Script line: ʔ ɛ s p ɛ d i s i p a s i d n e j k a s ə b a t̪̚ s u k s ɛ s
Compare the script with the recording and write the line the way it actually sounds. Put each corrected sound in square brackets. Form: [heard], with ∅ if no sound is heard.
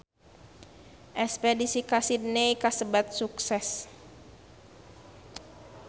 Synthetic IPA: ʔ ɛ s p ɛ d i s i [k] a s i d n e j k a s ə b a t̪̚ s u k s ɛ s